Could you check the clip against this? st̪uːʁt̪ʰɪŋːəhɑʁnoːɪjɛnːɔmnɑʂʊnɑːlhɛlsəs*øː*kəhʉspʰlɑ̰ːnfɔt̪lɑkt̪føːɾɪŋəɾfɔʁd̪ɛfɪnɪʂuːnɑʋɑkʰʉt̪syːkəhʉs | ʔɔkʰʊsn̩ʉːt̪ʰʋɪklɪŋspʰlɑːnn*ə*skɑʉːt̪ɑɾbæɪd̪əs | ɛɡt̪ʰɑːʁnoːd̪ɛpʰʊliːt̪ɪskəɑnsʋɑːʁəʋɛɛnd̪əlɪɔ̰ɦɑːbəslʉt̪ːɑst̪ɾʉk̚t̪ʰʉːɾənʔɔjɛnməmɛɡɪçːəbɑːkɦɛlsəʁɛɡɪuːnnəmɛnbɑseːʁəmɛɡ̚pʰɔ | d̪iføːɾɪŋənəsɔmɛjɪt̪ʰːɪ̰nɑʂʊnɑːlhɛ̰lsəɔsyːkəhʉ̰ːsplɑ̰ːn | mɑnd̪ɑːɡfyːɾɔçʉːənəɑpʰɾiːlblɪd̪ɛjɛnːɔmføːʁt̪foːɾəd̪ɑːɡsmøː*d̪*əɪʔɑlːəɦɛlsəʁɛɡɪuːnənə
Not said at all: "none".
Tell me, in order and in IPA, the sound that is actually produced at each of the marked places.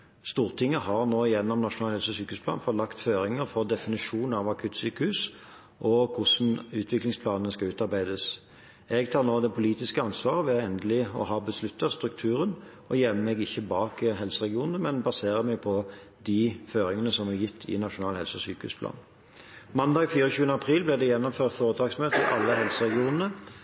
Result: yː, ə, t̪

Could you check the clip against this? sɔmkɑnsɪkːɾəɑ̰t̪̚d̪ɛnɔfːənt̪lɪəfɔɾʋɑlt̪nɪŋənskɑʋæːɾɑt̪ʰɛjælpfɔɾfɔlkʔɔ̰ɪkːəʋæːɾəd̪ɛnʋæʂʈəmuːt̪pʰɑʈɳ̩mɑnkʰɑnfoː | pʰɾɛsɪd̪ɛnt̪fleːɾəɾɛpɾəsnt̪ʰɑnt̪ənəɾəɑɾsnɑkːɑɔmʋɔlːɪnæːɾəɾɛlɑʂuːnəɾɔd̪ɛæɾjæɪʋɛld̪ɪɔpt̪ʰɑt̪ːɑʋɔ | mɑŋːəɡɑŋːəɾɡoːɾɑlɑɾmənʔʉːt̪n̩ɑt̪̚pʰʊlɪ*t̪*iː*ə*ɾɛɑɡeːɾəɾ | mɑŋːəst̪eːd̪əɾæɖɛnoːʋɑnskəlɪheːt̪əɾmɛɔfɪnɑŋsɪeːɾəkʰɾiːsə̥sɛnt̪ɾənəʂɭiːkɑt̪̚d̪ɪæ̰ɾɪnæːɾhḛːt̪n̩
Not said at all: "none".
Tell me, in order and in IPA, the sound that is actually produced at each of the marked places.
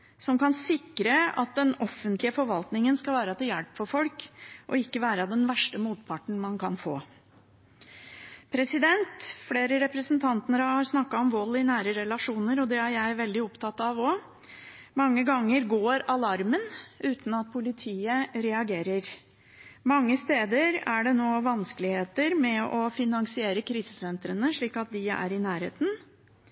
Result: t̪ʰ, ə

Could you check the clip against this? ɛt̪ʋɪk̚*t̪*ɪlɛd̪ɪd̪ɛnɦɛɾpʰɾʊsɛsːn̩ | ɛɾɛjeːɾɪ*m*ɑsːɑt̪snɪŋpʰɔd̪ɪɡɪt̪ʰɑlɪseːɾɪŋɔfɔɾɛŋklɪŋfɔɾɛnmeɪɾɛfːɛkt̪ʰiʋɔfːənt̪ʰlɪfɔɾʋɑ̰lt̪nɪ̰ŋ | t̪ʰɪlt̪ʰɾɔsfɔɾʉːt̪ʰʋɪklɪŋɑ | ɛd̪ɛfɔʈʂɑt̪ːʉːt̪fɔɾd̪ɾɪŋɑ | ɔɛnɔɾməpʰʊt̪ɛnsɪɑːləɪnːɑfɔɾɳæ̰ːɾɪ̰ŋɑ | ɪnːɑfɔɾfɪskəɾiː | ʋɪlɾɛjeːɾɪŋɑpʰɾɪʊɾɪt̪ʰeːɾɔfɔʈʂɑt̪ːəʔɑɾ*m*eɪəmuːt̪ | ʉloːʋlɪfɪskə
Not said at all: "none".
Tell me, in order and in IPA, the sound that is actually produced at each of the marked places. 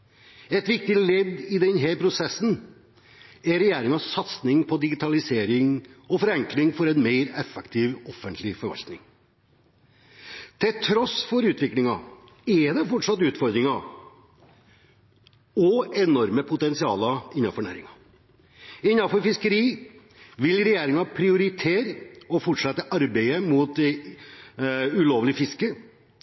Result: t̪, ŋ, b

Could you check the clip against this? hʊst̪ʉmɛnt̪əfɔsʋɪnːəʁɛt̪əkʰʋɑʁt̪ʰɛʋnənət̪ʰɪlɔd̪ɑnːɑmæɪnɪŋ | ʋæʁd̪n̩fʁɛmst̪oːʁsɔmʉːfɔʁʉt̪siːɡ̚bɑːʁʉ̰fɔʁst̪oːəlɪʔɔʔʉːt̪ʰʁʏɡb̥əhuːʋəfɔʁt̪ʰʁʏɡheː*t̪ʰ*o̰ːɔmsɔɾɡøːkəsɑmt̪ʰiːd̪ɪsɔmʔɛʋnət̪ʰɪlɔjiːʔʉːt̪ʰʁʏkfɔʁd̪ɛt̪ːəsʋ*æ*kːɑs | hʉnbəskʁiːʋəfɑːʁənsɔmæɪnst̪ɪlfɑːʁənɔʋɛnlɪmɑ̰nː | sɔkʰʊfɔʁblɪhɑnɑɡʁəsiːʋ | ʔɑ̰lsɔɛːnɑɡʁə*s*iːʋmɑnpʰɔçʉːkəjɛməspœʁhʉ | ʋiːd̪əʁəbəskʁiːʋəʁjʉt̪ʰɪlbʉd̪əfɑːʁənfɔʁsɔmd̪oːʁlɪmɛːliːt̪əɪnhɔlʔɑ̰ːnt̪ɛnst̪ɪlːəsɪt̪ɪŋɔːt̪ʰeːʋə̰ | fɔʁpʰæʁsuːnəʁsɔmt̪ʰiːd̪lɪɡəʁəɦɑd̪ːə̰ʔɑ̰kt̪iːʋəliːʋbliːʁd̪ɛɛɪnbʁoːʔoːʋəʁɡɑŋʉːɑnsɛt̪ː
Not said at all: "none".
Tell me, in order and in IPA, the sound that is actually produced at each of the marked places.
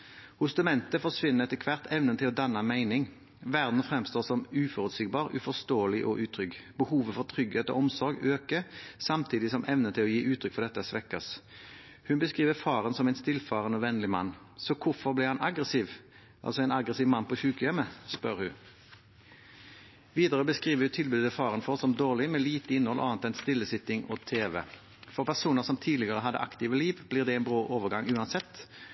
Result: t̪, ɛ, s

